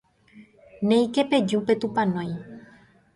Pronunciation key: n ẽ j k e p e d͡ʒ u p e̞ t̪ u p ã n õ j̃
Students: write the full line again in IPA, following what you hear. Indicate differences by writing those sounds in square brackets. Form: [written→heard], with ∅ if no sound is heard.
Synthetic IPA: n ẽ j k e p e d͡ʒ u p e̞ t̪ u p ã n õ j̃

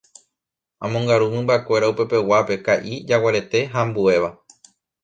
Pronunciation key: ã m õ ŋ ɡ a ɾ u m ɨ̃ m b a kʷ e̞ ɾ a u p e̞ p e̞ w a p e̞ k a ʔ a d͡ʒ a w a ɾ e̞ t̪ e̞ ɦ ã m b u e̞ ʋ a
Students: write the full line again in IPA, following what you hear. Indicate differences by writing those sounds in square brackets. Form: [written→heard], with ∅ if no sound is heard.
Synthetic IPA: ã m õ ŋ ɡ a ɾ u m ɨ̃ m b a kʷ e̞ ɾ a u p e̞ p e̞ w a p e̞ k a ʔ [a→i] d͡ʒ a w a ɾ e̞ t̪ e̞ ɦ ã m b u e̞ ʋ a

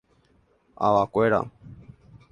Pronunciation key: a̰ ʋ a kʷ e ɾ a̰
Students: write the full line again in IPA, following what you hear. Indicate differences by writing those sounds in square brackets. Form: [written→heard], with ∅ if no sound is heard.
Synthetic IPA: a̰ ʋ a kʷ e ɾ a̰

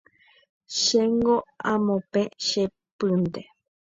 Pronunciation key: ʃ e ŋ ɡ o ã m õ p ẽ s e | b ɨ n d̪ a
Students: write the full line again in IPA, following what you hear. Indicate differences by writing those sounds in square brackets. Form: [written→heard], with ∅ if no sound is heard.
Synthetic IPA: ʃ e ŋ ɡ o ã m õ p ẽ [s→ʃ] e | [b→p] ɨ n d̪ [a→e]

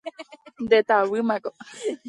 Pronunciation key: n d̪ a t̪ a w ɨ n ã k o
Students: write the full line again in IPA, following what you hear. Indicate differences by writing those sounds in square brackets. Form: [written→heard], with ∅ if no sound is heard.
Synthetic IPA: n d̪ [a→e] t̪ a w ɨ [n→m] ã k o

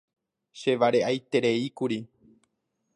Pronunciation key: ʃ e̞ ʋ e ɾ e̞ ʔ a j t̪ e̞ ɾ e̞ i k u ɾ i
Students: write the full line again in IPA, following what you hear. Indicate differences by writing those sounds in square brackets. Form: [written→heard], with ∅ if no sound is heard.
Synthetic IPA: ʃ e̞ ʋ [e→a] ɾ e̞ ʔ a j t̪ e̞ ɾ e̞ i k u ɾ i

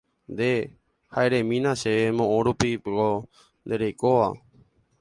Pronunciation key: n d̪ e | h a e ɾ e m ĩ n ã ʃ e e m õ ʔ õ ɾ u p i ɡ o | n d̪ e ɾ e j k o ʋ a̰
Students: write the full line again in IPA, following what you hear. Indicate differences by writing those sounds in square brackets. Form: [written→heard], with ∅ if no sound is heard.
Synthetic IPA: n d̪ e | h a e ɾ e m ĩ n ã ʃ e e m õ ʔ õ ɾ u p i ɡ o | n d̪ e ɾ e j k o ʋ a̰

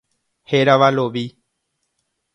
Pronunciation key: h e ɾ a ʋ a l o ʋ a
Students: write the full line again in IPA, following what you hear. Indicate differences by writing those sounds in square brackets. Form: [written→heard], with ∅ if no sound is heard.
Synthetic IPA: h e ɾ a ʋ a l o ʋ [a→i]

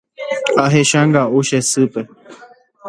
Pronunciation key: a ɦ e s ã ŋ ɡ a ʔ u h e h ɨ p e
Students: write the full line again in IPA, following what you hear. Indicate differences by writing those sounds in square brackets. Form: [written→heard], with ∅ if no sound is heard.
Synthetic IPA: a ɦ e [s→ʃ] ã ŋ ɡ a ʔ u [h→ʃ] e [h→s] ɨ p e

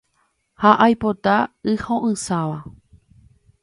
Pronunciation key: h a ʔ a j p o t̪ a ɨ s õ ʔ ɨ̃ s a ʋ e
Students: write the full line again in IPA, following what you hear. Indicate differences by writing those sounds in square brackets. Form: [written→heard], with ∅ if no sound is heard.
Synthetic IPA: h a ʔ a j p o t̪ a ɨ [s→h] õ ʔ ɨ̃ s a ʋ [e→a]

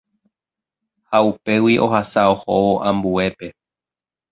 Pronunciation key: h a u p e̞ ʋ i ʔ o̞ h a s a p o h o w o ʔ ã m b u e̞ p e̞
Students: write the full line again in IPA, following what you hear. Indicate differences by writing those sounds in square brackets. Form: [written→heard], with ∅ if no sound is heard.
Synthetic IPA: h a u p e̞ [ʋ→w] i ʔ o̞ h a s a [p→∅] o h o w o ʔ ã m b u e̞ p e̞

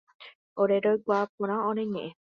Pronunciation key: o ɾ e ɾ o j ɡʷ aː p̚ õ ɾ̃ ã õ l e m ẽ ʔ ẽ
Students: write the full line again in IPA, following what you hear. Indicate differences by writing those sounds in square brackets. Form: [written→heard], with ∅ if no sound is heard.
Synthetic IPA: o ɾ e ɾ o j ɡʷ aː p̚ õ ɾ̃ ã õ [l→ɾ] e [m→ɲ] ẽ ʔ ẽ

